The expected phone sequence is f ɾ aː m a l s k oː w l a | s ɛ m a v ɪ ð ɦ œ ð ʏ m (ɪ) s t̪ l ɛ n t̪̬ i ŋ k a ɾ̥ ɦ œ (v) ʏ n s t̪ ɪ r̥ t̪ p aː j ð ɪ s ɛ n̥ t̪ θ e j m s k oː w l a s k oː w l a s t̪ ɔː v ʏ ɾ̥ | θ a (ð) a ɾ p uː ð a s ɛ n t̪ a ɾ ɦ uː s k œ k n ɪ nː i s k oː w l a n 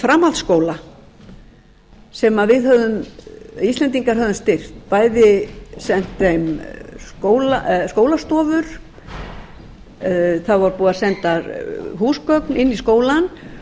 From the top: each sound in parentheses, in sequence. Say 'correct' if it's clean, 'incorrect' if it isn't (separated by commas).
incorrect, incorrect, incorrect